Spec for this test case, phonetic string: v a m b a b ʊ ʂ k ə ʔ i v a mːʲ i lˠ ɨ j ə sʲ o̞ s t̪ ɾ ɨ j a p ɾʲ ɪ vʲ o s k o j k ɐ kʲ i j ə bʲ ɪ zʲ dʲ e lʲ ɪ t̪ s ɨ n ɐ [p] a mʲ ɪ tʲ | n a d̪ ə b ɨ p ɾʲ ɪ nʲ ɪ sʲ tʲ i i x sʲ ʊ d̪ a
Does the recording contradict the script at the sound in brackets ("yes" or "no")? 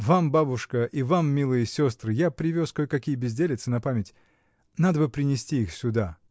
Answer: no